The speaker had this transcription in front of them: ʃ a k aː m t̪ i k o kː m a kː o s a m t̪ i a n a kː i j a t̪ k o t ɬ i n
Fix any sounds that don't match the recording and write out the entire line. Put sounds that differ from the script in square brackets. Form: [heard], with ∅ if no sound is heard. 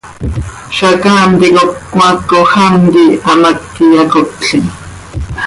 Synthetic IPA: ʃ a k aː m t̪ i k o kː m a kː o [x] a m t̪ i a [m] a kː i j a [∅] k o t ɬ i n